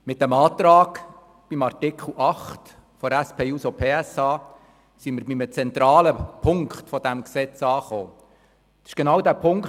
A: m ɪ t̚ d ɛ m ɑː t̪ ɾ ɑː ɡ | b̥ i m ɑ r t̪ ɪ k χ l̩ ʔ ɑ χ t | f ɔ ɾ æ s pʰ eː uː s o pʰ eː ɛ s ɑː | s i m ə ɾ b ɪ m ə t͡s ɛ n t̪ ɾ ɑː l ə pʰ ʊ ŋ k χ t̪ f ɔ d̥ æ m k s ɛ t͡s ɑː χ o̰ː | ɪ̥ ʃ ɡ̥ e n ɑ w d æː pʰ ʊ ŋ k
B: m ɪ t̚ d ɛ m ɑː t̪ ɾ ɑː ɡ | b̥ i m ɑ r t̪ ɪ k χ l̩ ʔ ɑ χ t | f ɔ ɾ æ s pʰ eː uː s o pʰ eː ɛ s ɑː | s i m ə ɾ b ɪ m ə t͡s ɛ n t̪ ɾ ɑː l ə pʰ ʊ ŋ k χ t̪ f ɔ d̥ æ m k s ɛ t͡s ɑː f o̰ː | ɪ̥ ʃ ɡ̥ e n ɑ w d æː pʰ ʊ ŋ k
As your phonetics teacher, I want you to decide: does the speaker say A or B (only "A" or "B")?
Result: A